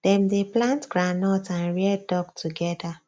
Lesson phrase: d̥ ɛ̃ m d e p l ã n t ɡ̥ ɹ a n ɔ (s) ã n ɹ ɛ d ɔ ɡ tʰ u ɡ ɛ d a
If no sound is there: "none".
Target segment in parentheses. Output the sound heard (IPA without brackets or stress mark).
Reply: t